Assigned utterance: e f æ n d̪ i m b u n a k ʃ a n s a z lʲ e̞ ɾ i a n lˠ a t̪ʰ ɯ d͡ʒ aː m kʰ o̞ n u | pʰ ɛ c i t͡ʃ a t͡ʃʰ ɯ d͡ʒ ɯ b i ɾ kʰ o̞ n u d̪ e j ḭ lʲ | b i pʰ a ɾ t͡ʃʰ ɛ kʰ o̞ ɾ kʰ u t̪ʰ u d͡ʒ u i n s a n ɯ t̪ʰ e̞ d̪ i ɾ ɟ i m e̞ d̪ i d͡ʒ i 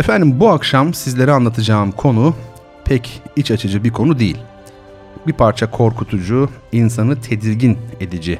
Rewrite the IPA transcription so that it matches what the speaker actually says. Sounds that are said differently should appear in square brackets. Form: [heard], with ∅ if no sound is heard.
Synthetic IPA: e f æ n d̪ i m b u [∅] a k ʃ a [m] s [i] z lʲ e̞ ɾ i a n lˠ a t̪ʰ ɯ d͡ʒ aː m kʰ o̞ n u | pʰ ɛ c i t͡ʃ a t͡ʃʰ ɯ d͡ʒ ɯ b i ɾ kʰ o̞ n u d̪ e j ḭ lʲ | b i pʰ a ɾ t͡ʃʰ [a] kʰ o̞ ɾ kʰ u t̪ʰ u d͡ʒ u i n s a n ɯ t̪ʰ e̞ d̪ i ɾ ɟ i [n] e̞ d̪ i d͡ʒ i